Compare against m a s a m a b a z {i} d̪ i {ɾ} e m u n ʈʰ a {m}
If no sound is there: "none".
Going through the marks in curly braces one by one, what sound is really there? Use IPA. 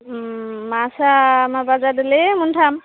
a, l, m

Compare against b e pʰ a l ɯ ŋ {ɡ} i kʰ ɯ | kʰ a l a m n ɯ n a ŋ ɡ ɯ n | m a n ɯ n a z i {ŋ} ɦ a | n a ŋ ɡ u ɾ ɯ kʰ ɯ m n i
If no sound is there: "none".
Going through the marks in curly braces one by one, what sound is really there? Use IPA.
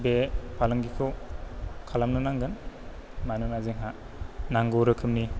ɡ, ŋ

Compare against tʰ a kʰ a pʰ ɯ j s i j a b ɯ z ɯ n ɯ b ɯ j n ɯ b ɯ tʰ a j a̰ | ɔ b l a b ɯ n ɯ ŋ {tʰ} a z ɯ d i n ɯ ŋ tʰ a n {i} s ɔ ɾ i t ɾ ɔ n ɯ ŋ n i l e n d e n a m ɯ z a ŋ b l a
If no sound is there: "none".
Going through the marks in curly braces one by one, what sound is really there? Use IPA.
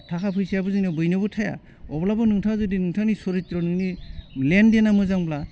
tʰ, i

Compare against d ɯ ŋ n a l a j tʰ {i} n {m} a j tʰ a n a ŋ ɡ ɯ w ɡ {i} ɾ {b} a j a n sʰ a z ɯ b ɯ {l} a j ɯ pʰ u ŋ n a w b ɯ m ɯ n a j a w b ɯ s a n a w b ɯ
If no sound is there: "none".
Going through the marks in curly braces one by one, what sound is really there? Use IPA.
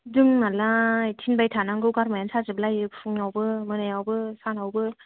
i, b, a, m, l

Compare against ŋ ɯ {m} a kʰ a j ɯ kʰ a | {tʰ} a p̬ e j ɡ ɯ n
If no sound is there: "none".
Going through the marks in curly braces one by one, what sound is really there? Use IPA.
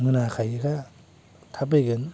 n, tʰ

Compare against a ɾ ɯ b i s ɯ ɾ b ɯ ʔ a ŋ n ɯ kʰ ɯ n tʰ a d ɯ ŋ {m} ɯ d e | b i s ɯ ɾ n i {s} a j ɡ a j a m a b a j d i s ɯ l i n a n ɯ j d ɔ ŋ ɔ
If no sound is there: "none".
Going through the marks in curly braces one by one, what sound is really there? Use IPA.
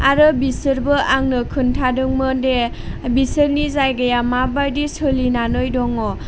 m, z

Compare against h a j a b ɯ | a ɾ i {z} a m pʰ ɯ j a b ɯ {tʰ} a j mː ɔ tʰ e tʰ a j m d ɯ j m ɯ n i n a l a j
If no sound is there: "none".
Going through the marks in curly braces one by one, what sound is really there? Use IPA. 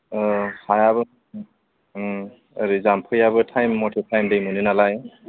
z, tʰ

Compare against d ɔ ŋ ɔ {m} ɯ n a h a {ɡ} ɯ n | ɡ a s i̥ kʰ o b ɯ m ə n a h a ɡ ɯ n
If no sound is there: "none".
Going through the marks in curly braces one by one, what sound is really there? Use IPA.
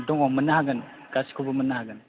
m, ɡ

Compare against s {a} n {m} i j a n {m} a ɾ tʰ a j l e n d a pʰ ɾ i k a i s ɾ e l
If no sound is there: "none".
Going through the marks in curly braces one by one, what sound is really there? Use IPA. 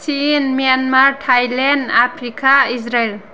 i, m, m

